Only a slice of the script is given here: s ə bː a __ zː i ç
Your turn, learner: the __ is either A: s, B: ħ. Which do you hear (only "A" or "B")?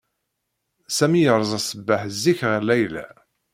B